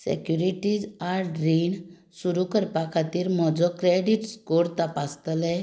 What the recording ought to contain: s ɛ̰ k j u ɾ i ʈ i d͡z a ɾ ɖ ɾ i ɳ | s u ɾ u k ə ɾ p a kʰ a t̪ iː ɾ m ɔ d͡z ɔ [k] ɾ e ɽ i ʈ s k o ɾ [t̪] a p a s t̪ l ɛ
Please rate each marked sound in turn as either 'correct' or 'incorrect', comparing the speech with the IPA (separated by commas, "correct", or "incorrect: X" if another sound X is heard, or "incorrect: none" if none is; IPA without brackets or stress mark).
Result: correct, correct